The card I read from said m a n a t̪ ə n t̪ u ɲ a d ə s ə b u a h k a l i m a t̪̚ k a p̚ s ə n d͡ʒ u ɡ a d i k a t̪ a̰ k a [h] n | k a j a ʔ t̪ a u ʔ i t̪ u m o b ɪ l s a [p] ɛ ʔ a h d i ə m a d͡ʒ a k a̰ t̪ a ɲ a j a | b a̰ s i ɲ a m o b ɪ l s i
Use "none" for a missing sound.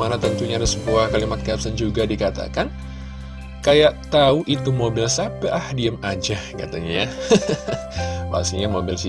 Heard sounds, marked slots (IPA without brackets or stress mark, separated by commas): none, p